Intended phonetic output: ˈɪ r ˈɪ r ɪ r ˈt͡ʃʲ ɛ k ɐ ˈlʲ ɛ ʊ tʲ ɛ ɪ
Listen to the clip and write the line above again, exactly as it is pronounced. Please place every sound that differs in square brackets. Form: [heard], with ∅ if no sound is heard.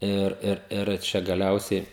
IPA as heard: ˈɪ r ˈɪ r ɪ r ˈt͡ʃʲ ɛ [ɡ] ɐ ˈlʲ ɛ ʊ [sʲ] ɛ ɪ